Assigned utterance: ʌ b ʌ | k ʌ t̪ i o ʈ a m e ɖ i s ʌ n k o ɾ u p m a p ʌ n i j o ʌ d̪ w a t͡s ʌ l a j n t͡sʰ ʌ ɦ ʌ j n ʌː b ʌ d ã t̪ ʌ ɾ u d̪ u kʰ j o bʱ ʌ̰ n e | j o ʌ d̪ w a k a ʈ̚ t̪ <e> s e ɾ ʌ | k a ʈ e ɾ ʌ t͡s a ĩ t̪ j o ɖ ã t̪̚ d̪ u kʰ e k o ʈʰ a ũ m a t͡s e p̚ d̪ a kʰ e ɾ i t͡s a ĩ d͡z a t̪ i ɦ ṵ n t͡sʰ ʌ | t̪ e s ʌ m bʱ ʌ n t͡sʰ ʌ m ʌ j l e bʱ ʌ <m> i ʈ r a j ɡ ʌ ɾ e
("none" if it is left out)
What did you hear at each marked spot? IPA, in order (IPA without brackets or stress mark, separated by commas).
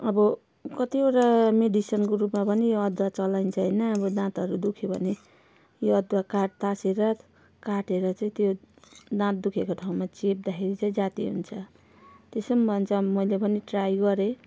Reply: a, n